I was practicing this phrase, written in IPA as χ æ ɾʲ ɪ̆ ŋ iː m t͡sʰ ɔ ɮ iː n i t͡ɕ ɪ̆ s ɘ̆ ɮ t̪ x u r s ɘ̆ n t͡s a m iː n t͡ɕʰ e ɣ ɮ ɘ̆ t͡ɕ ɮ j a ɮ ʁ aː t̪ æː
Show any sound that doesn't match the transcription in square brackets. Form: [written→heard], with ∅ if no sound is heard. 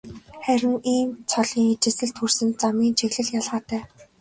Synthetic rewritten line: χ æ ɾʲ ɪ̆ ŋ iː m t͡sʰ ɔ ɮ iː [n→ŋ] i t͡ɕ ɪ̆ s ɘ̆ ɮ t̪ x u r s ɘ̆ n t͡s a m iː n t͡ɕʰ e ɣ ɮ ɘ̆ [t͡ɕ→∅] ɮ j a ɮ ʁ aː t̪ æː

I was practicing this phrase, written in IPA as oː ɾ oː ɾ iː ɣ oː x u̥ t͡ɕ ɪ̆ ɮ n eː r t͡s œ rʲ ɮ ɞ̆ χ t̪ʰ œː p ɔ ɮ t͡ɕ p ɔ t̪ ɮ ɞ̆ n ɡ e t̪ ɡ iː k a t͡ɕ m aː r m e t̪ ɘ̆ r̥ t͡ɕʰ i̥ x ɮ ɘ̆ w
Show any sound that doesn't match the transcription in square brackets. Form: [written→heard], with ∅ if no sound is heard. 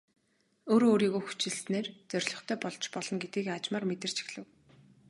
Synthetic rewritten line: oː ɾ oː ɾ iː ɣ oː x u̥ t͡ɕ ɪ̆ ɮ n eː r t͡s œ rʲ ɮ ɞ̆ χ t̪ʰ œː p ɔ ɮ t͡ɕ p ɔ [t̪→∅] ɮ ɞ̆ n ɡ e t̪ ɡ iː k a t͡ɕ m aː r m e t̪ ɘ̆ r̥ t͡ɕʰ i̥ x ɮ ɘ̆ w

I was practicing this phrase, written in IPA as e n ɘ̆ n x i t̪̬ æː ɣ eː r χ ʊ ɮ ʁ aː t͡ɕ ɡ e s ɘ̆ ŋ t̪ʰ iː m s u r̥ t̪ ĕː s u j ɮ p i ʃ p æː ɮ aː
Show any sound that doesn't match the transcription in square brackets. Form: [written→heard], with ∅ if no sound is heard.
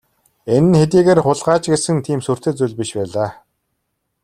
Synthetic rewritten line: e n ɘ̆ n x [i→e] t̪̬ [æː→iː] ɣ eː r χ ʊ ɮ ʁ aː t͡ɕ ɡ e s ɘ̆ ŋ t̪ʰ iː m s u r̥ t̪ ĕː [s→t͡s] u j ɮ p i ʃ p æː ɮ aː

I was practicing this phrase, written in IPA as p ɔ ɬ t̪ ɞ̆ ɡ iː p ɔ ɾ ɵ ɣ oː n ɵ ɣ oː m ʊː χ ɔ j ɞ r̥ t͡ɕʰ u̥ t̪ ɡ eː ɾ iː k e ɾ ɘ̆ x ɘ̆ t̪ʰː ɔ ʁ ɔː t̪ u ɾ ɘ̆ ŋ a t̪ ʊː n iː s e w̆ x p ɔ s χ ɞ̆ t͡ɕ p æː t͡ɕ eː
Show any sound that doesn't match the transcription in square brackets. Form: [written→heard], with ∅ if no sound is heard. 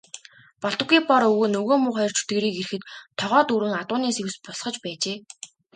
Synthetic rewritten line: p ɔ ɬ t̪ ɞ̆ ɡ iː p ɔ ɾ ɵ ɣ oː n ɵ ɣ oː m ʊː χ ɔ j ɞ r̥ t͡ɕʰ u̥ t̪ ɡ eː ɾ iː k e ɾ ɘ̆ x ɘ̆ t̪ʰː ɔ ʁ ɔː t̪ u ɾ ɘ̆ ŋ a t̪ ʊː n iː s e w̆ [x→s] p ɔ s χ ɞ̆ t͡ɕ p æː t͡ɕ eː

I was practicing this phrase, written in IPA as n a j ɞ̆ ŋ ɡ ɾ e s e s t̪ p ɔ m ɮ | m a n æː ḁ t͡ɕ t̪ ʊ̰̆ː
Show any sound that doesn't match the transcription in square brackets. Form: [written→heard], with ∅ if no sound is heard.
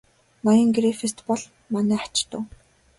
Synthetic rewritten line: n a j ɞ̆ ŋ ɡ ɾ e [s→f] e s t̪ p ɔ [m→∅] ɮ | m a n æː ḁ t͡ɕ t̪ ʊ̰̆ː

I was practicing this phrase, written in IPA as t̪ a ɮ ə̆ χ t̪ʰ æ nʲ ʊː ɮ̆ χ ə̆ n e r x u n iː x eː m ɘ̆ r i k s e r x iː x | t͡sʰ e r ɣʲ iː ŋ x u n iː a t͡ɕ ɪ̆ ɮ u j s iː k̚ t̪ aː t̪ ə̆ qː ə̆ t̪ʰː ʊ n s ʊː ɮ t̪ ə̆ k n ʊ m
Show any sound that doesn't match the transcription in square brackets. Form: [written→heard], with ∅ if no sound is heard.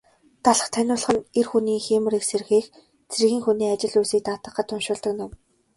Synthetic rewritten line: t̪ a ɮ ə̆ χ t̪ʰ æ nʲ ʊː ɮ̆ χ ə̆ n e r x u n iː x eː m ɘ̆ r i k s e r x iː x | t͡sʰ e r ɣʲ iː ŋ x u n iː a t͡ɕ ɪ̆ ɮ u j s iː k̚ t̪ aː t̪ ə̆ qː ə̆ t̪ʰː ʊ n [s→ʃ] ʊː ɮ t̪ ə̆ k n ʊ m

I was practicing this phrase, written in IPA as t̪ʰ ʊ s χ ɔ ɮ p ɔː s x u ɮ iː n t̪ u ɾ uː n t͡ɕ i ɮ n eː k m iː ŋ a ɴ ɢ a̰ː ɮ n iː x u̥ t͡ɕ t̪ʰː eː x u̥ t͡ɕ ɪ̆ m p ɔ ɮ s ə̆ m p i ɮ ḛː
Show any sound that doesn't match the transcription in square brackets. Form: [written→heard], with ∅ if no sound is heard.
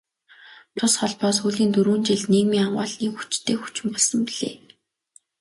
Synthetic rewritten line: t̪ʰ ʊ s χ ɔ ɮ p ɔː s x u ɮ iː n t̪ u ɾ uː n t͡ɕ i ɮ n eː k m iː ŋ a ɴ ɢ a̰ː ɮ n iː x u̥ t͡ɕ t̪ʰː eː x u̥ t͡ɕ ɪ̆ m p ɔ ɮ s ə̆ m p i ɮ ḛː

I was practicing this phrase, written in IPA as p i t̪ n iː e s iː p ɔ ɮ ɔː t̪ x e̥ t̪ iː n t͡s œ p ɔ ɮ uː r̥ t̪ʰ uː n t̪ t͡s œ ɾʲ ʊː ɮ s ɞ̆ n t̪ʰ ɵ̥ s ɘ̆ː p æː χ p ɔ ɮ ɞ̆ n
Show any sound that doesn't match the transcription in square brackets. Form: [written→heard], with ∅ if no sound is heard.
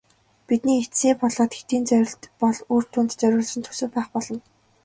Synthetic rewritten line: p i t̪ n iː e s iː p ɔ ɮ ɔː t̪ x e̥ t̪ iː n t͡s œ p ɔ ɮ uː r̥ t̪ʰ uː n t̪ t͡s œ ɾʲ ʊː ɮ s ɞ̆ n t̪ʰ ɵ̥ s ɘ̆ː p æː χ p ɔ ɮ ɞ̆ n

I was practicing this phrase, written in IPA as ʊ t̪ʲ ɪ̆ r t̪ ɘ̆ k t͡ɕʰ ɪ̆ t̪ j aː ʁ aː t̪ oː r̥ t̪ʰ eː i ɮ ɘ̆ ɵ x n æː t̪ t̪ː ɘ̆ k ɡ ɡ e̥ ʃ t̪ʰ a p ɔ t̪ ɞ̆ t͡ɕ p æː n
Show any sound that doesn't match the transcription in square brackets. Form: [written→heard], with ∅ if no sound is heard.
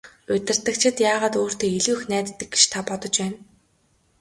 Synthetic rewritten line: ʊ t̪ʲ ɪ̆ r t̪ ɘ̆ k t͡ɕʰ ɪ̆ t̪ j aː ʁ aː t̪ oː r̥ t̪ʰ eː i ɮ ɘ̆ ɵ x n æː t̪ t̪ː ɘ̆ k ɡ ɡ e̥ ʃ t̪ʰ a p ɔ t̪ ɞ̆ t͡ɕ p æː n

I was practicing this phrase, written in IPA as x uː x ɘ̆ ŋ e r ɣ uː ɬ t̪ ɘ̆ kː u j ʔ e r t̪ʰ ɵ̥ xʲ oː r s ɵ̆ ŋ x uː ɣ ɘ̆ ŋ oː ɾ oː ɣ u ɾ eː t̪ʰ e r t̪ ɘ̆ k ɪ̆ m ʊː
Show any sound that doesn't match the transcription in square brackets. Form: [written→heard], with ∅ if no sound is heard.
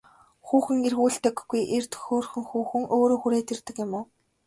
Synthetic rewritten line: x uː x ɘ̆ ŋ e r ɣ uː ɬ t̪ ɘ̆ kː u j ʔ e r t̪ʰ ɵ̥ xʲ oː r [s→x] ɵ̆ ŋ x uː [ɣ→x] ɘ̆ ŋ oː ɾ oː [ɣ→x] u ɾ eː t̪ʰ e r t̪ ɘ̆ k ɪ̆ m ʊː

